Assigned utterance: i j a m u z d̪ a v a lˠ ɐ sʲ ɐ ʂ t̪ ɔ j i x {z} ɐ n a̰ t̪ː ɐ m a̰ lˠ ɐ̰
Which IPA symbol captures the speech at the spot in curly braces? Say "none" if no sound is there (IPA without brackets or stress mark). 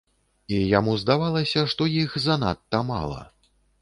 z